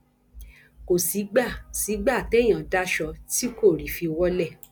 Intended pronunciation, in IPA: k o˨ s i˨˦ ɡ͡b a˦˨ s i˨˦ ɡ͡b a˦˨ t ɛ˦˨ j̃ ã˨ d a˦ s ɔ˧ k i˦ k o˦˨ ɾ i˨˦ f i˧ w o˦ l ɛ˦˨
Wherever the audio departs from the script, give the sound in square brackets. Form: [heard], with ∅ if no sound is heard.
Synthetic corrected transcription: k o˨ s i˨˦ ɡ͡b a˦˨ s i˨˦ ɡ͡b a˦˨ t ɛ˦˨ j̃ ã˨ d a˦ [ʃ] ɔ˧ [t] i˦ k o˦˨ ɾ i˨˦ f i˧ w [ɔ˦] l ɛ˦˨